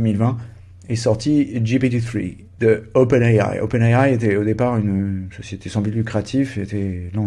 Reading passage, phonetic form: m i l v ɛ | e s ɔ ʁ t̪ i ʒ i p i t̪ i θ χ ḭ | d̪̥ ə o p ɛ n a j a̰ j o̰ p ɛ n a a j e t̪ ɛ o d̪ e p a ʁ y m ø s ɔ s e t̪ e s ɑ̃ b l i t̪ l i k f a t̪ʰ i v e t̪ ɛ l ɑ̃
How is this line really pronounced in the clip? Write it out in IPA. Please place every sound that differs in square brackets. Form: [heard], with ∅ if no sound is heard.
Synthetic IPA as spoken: m i l v [ɛ̃] | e s ɔ ʁ t̪ i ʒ i p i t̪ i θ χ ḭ | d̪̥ ə o p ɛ n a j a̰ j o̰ p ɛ n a a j e t̪ ɛ o d̪ e p a ʁ y [n] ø s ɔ s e t̪ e s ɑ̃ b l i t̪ l [y] k [χ] a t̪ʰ i [f] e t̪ ɛ l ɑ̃